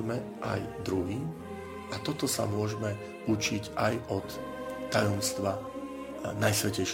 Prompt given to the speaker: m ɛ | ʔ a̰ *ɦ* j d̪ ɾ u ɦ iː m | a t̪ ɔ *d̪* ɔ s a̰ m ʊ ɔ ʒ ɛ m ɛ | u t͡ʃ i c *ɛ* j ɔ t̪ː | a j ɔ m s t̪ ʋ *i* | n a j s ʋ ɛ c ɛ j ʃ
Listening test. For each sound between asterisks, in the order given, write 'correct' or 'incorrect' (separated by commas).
incorrect, incorrect, incorrect, incorrect